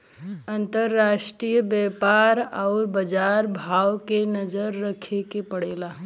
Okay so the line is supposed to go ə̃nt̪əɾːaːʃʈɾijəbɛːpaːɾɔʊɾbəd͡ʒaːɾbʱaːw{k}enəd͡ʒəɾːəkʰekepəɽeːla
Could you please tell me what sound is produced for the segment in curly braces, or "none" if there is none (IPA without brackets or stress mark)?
k